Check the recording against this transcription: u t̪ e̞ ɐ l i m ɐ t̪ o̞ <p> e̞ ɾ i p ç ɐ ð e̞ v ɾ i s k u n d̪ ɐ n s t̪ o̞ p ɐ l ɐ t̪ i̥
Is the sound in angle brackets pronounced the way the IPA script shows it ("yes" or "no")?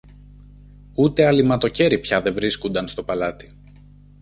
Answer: no